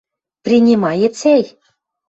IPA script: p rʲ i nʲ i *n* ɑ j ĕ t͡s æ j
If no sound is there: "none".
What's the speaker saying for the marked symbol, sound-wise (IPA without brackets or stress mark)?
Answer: m